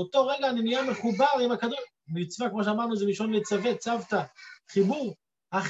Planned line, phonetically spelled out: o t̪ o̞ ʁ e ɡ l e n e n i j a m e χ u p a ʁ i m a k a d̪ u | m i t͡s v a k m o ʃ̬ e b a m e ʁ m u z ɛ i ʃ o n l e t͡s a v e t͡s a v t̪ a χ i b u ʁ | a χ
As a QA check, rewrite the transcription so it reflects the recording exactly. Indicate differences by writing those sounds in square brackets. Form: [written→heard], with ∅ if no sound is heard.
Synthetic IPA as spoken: o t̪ o̞ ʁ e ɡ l [e→a] n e n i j a m e χ u [p→b] a ʁ i m a k a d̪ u | m i t͡s v a k m o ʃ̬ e [b→∅] a m [e→a] ʁ [m→n] u z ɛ i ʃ o n l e t͡s a v e t͡s a v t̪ a χ i b u ʁ | a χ